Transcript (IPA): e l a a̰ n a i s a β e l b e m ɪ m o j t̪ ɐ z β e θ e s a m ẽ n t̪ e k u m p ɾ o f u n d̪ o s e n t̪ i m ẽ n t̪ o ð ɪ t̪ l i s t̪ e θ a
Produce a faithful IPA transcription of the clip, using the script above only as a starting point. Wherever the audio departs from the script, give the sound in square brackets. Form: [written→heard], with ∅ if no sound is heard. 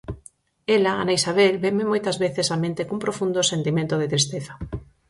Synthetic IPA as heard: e l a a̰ n a i s a β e l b e m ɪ m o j t̪ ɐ z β e θ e s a m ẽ n t̪ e k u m p ɾ o f u n d̪ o s e n t̪ i m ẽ n t̪ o ð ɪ t̪ [l→ɾ] i s t̪ e θ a